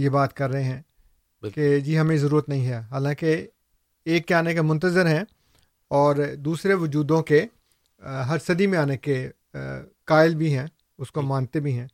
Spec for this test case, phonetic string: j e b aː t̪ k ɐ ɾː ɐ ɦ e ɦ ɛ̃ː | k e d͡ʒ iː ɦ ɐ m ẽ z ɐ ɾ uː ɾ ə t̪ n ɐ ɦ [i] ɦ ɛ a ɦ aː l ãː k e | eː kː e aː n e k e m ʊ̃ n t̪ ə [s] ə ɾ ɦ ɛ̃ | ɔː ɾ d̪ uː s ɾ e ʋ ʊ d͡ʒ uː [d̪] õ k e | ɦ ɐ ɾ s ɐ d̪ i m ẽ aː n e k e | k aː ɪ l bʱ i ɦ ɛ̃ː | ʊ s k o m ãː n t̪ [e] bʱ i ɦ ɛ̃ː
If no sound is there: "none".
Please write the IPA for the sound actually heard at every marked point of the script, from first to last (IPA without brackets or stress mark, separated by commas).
ĩ, z, d̪, e